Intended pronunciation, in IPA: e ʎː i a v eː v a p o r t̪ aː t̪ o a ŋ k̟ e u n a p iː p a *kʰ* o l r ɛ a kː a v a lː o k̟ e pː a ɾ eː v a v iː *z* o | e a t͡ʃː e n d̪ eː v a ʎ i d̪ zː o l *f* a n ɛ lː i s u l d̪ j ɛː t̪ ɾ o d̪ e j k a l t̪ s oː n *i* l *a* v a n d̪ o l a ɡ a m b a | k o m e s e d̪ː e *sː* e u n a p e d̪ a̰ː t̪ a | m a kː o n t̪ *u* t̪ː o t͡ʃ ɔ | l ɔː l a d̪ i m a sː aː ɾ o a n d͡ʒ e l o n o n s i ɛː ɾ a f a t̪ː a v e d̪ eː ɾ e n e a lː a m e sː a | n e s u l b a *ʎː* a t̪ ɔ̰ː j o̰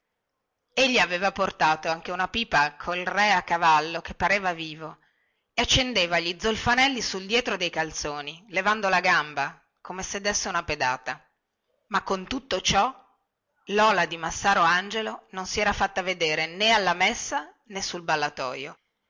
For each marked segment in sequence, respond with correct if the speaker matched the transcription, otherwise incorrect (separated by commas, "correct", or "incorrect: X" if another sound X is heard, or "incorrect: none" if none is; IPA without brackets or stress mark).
correct, incorrect: v, correct, correct, incorrect: e, correct, correct, incorrect: lː